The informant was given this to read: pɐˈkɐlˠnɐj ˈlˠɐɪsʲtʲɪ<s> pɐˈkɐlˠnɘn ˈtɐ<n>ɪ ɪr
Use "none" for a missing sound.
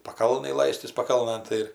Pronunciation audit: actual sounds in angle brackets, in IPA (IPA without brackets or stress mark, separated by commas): s, none